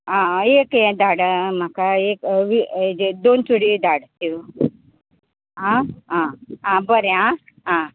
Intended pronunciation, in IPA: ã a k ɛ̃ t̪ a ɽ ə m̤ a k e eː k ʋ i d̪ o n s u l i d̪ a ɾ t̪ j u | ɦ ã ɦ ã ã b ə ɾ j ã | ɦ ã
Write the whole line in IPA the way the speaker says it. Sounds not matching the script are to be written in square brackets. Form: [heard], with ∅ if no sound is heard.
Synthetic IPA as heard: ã [e] k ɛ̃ [d̪] a ɽ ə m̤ a k [a] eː k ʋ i d̪ o n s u [ɽ] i d̪ a [ɽ] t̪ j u | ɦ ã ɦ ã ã b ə ɾ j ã | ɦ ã